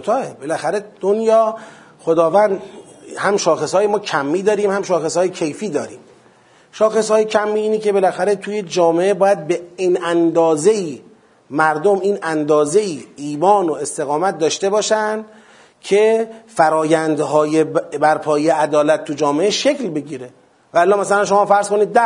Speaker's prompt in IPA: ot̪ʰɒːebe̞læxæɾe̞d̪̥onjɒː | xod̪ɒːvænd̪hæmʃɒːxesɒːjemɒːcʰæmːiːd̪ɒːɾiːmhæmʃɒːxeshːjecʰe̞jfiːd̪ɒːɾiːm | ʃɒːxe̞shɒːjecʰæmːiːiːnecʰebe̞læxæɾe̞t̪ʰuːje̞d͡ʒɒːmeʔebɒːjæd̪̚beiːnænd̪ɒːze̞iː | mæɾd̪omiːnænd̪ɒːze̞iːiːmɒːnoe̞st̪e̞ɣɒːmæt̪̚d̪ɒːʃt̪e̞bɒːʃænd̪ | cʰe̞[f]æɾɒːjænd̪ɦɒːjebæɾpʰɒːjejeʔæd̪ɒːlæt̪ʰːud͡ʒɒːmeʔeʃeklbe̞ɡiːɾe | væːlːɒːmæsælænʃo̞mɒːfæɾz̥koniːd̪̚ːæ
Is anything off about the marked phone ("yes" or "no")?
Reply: no